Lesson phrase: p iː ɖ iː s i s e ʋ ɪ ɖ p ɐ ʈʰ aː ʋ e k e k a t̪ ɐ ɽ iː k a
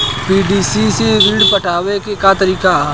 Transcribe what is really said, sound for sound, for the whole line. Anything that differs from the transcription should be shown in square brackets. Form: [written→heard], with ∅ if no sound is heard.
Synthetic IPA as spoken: p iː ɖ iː s i s e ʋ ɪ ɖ p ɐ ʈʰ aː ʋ e k e k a t̪ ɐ [ɽ→ɾ] iː k a